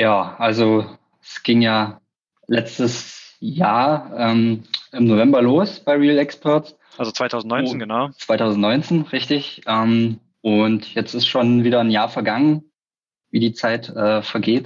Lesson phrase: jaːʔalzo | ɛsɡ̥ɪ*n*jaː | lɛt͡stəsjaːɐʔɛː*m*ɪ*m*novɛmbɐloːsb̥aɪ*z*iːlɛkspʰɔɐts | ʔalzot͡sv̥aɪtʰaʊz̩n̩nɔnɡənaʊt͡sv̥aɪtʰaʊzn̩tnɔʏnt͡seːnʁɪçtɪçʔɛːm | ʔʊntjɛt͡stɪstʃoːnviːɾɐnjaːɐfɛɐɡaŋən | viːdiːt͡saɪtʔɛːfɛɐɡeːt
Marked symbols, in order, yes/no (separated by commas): no, yes, yes, no